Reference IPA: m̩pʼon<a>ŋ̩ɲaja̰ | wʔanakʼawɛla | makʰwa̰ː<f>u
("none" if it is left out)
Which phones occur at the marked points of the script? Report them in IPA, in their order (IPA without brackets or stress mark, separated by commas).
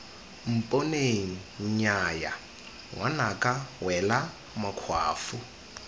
e, f